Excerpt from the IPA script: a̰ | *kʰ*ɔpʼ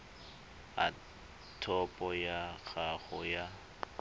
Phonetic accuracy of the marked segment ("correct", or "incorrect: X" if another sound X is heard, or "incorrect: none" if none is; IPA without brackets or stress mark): incorrect: tʰ